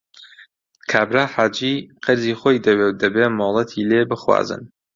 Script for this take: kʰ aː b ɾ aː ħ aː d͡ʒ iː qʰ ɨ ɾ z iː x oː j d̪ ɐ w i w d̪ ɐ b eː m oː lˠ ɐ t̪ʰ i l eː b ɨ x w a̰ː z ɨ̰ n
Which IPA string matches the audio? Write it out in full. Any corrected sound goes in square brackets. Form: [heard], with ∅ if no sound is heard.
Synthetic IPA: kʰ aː b ɾ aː ħ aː d͡ʒ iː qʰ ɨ ɾ z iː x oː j d̪ ɐ w [e] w d̪ ɐ b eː m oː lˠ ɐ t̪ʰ i l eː b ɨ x w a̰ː z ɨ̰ n